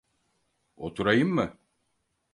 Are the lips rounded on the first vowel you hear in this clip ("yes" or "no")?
yes